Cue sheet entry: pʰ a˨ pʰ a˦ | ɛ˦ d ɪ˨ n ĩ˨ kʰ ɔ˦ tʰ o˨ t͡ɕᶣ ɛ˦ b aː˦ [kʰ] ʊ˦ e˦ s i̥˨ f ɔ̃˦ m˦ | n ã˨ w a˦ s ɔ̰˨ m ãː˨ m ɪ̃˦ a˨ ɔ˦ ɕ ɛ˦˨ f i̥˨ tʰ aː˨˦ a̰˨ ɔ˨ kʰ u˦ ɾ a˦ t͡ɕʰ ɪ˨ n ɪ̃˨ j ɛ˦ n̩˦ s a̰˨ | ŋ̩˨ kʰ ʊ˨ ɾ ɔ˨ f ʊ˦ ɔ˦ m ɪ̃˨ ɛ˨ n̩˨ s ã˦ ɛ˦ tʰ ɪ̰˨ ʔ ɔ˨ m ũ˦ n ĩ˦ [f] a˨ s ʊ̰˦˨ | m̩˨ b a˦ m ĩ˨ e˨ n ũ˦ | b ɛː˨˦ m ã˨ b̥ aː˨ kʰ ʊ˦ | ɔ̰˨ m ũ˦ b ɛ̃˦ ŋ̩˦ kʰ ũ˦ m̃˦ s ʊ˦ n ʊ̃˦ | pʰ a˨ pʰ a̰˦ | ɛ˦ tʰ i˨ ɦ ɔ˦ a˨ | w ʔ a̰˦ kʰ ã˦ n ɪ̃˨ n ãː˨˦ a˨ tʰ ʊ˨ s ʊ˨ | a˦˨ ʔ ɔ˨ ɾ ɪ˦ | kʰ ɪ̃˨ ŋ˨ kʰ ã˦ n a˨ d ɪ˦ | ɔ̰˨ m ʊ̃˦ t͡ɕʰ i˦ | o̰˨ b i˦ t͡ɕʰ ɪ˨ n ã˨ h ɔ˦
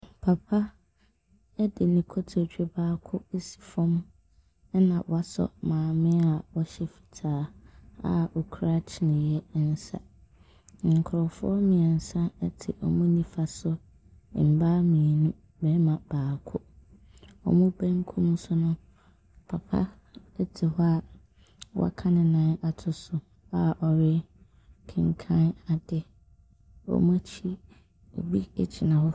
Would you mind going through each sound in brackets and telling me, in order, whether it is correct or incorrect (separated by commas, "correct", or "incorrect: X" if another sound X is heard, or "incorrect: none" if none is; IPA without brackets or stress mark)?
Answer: correct, correct